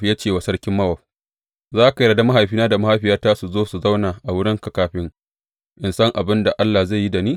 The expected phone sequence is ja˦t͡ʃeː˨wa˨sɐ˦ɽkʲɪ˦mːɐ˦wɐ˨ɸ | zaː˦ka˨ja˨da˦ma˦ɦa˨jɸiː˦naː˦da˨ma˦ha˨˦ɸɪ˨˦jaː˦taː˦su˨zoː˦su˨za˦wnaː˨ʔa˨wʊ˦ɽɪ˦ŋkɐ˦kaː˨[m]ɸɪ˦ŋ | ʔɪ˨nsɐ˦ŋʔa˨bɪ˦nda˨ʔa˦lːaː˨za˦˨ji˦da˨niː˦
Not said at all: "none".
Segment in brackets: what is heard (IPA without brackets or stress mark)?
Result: none